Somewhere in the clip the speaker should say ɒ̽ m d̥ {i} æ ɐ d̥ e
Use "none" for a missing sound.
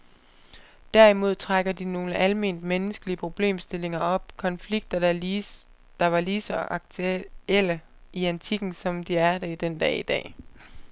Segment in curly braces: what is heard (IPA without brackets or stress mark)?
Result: i